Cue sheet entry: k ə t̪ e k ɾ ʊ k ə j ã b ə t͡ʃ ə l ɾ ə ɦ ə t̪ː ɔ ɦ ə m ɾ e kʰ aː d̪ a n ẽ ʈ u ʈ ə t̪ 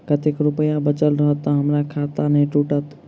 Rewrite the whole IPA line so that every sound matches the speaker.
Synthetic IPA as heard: k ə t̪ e k ɾ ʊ p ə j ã b ə t͡ʃ ə l ɾ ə ɦ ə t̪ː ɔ ɦ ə m ɾ a kʰ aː t̪ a n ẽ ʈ u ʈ ə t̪